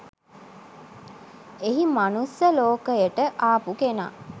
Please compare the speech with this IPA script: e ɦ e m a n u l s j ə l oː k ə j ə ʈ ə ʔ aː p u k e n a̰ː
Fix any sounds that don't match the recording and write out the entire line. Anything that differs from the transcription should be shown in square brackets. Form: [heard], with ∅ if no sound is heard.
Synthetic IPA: e ɦ [i] m a n u [∅] s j ə l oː k ə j ə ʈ ə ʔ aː p u k e n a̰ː